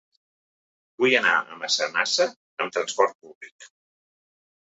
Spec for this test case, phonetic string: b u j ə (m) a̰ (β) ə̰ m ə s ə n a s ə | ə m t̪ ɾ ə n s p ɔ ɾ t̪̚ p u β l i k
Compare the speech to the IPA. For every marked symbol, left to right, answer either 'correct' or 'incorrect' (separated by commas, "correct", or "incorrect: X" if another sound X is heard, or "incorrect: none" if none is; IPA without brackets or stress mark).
incorrect: n, incorrect: none